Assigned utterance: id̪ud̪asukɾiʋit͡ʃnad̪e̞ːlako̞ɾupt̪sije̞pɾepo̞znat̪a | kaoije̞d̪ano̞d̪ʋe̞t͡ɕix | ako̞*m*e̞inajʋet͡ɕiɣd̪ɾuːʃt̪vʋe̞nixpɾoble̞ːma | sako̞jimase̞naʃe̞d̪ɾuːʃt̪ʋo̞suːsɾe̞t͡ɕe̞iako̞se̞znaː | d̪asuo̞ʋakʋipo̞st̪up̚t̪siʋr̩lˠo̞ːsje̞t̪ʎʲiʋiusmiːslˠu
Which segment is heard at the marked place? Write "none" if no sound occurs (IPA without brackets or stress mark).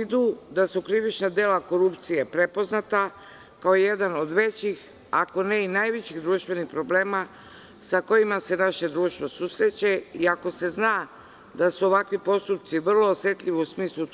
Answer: n